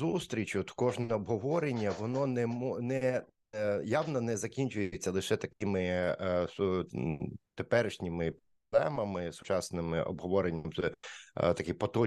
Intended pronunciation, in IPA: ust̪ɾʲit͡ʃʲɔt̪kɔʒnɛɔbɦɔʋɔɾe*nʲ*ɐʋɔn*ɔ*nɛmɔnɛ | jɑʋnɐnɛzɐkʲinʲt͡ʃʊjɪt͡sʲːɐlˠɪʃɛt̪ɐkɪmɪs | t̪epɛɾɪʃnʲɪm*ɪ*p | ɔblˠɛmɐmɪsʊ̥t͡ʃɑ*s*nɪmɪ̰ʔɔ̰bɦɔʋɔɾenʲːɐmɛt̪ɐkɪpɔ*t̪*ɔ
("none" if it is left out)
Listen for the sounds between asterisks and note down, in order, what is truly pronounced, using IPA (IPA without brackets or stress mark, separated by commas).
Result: nʲː, ɔ, ɪ, s, t̪